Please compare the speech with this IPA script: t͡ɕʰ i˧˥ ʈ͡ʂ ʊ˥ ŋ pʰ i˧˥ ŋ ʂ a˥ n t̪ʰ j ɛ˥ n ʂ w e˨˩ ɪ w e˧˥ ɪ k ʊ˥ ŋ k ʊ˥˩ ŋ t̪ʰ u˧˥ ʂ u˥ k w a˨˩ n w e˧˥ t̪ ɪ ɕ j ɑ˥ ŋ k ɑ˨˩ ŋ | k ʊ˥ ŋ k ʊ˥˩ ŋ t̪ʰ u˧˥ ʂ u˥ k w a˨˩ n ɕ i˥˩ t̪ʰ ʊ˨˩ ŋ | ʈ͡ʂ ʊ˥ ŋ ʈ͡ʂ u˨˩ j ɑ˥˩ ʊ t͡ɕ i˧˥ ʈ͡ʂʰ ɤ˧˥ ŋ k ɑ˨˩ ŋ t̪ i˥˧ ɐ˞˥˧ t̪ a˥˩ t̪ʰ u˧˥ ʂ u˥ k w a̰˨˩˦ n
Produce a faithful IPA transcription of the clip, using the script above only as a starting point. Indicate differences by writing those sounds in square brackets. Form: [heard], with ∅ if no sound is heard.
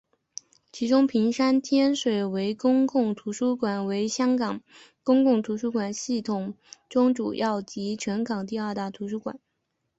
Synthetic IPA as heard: t͡ɕʰ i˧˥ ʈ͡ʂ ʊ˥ ŋ pʰ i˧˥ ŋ ʂ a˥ n t̪ʰ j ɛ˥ n ʂ w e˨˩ ɪ w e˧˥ ɪ k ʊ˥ ŋ k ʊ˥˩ ŋ t̪ʰ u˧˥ ʂ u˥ k w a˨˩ n w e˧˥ [∅] ɪ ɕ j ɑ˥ ŋ k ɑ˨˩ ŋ | k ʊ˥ ŋ k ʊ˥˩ ŋ t̪ʰ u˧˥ ʂ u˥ k w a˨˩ n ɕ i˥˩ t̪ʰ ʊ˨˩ ŋ | ʈ͡ʂ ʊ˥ ŋ ʈ͡ʂ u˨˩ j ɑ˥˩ ʊ t͡ɕ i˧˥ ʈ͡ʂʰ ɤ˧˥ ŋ k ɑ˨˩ ŋ t̪ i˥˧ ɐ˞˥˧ t̪ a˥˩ t̪ʰ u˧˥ ʂ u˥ k w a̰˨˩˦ n